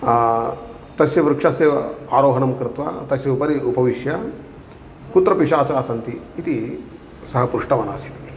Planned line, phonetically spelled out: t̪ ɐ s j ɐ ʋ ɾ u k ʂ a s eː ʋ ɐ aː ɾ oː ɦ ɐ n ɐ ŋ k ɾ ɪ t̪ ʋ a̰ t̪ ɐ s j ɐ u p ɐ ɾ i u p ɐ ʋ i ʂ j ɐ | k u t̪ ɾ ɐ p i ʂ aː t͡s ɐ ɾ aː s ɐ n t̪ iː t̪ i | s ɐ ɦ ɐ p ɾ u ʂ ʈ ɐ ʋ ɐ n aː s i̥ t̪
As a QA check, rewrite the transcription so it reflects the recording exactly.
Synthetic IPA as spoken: t̪ ɐ s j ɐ ʋ ɾ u k ʂ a s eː ʋ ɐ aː ɾ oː ɦ ɐ n ɐ m k ɾ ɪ t̪ ʋ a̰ t̪ ɐ s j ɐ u p ɐ ɾ i u p ɐ ʋ i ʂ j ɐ | k u t̪ ɾ ɐ p i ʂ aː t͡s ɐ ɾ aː s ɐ n t̪ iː t̪ i | s ɐ ɦ ɐ p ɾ u ʂ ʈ ɐ ʋ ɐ n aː s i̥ t̪